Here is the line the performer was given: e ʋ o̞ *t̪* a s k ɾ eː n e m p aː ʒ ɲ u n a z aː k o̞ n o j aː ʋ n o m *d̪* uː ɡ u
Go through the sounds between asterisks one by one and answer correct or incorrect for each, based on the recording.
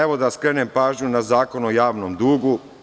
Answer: incorrect: d̪, correct

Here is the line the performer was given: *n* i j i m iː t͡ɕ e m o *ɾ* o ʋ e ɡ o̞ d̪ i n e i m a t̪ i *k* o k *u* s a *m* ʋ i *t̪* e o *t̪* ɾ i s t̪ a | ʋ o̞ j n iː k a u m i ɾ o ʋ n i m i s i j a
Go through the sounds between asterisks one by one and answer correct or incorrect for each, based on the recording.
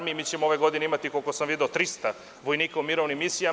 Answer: incorrect: m, incorrect: none, correct, incorrect: o, correct, incorrect: d̪, correct

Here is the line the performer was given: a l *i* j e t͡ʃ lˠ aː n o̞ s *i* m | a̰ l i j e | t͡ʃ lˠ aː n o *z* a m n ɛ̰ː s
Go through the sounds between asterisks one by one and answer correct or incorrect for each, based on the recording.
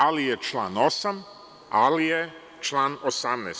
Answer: correct, incorrect: a, incorrect: s

